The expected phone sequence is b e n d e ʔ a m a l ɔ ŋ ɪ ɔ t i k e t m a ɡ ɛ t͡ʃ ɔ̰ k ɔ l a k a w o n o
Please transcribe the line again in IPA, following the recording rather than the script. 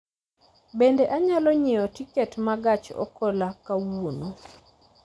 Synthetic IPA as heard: b e n d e ʔ a ɲ a l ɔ ɲ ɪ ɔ t i k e t m a ɡ a t͡ʃ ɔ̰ k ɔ l a k a w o n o

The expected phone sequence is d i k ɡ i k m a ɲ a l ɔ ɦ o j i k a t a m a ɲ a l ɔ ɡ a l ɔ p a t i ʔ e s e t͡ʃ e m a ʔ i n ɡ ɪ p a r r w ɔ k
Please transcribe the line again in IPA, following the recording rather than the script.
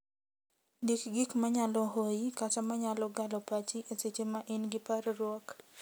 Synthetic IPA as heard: d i k ɡ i k m a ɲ a l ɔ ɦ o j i k a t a m a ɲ a l ɔ ɡ a l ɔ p a t͡ʃ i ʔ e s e t͡ʃ e m a ʔ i n ɡ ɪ p a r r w ɔ k

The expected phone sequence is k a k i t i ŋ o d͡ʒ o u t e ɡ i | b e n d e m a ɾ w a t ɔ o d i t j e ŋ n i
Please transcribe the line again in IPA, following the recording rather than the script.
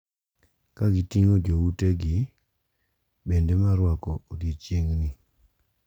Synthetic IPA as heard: k a ɡ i t i ŋ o d͡ʒ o u t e ɡ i | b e n d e m a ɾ w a k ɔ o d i t͡ʃ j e ŋ n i

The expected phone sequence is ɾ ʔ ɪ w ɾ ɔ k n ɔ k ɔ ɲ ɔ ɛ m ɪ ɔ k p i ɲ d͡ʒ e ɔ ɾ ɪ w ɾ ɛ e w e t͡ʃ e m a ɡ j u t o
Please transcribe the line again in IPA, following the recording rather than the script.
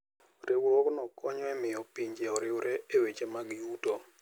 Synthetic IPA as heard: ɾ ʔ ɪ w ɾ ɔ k n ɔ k ɔ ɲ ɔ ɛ m ɪ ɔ p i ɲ d͡ʒ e ɔ ɾ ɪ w ɾ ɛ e w e t͡ʃ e m a ɡ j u t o

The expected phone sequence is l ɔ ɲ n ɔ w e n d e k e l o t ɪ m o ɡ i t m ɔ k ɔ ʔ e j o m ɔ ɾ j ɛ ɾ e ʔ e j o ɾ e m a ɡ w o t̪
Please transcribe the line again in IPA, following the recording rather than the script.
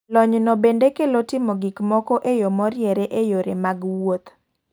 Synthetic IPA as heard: l ɔ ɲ n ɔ b e n d e k e l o t ɪ m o ɡ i k m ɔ k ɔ ʔ e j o m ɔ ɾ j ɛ ɾ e ʔ e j o ɾ e m a ɡ w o t̪

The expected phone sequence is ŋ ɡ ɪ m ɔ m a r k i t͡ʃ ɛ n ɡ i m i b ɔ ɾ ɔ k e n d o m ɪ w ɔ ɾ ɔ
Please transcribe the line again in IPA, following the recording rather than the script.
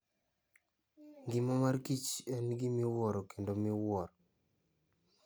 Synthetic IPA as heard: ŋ ɡ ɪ m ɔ m a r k i t͡ʃ ɛ n ɡ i m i w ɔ ɾ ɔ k e n d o m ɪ w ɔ ɾ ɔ

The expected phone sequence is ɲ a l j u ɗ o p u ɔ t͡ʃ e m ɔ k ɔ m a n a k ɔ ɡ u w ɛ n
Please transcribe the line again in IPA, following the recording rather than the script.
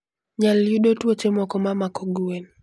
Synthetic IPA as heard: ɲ a l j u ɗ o t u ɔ t͡ʃ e m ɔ k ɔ m a m a k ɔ ɡ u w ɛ n

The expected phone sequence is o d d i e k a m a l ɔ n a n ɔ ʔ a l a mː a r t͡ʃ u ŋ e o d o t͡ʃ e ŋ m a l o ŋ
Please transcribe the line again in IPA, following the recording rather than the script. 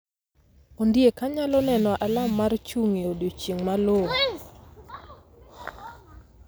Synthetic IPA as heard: o n d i e k a ɲ a l ɔ n ɛ n ɔ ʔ a l a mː a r t͡ʃ u ŋ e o d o t͡ʃ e ŋ m a l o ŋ

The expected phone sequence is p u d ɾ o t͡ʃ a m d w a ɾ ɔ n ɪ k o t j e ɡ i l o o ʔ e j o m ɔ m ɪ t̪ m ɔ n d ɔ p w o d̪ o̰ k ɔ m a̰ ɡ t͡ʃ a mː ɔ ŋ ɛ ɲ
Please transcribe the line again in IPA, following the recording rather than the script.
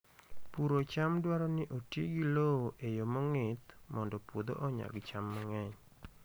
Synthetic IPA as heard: p u ɾ o t͡ʃ a m d w a ɾ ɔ n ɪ ʔ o t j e ɡ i l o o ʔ e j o m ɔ ŋ ɪ t̪ m ɔ n d ɔ p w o d̪ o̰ ʔ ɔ ɲ a̰ ɡ t͡ʃ a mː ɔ ŋ ɛ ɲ

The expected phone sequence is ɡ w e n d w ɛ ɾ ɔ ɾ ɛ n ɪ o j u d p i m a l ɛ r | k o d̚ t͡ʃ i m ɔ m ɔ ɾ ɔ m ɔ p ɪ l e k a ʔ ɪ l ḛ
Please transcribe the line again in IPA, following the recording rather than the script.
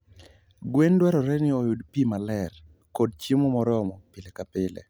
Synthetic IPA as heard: ɡ w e n d w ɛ ɾ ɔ ɾ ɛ n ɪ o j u d p i m a l ɛ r | k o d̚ t͡ʃ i m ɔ m ɔ ɾ ɔ m ɔ p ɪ l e k a p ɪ l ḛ

